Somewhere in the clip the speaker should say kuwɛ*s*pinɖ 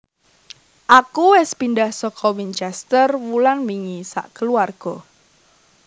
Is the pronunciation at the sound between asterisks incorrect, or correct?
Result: correct